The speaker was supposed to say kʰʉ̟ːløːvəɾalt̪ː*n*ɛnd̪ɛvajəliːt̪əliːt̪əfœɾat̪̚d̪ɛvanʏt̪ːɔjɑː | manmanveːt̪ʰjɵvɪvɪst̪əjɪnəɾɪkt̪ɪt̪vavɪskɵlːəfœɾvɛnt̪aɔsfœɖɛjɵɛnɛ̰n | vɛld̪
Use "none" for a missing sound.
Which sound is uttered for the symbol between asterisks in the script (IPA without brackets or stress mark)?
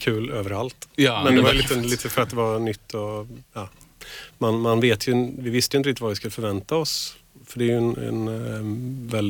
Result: m